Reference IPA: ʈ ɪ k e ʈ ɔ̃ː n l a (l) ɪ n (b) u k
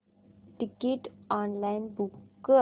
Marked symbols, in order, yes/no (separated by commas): no, yes